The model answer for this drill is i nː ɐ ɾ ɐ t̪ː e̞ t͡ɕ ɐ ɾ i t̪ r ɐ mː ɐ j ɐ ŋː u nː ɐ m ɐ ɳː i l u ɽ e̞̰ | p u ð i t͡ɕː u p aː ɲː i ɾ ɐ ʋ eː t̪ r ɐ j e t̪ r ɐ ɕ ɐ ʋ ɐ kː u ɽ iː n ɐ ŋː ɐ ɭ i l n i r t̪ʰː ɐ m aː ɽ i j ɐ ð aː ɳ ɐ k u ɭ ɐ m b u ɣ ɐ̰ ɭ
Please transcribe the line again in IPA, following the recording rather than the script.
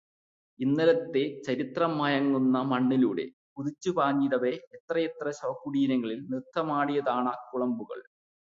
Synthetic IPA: i nː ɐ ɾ ɐ t̪ː e̞ t͡ɕ ɐ ɾ i t̪ r ɐ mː ɐ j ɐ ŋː u nː ɐ m ɐ ɳː i l uː ɽ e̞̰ | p u ð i t͡ɕː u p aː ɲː i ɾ ɐ ʋ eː t̪ r ɐ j e t̪ r ɐ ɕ ɐ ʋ ɐ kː u ɽ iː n ɐ ŋː ɐ ɭ i l n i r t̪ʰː ɐ m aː ɽ i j ɐ ð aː ɳ ɐ k u ɭ ɐ m b u ɣ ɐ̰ ɭ